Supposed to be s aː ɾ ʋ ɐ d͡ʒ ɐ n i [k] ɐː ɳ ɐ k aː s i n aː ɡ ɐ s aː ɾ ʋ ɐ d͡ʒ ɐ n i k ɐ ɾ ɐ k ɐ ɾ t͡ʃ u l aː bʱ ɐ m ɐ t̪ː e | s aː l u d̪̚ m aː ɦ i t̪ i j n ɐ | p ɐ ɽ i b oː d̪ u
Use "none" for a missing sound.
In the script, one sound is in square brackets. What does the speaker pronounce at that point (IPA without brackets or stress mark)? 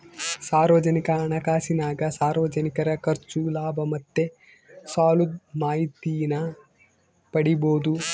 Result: k